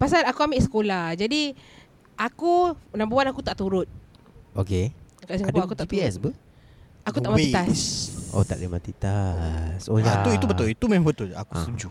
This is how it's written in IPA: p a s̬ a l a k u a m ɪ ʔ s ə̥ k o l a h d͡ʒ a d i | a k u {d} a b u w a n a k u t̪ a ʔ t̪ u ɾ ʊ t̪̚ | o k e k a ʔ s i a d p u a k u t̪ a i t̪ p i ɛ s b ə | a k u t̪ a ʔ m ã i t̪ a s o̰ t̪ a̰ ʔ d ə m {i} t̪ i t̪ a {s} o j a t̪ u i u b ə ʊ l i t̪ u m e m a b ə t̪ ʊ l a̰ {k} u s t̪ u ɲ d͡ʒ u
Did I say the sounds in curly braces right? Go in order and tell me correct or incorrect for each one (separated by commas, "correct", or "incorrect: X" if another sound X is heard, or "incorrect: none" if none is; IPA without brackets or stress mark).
incorrect: n, incorrect: a, correct, correct